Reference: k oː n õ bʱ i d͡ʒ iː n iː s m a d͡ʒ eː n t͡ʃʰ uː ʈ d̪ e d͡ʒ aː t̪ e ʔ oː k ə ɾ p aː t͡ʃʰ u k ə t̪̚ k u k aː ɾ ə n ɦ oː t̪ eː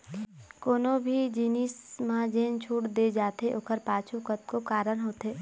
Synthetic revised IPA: k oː n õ bʱ i d͡ʒ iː n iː s m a d͡ʒ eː n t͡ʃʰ uː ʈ d̪ e d͡ʒ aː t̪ e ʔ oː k ə ɾ p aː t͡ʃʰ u k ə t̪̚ k o k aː ɾ ə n ɦ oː t̪ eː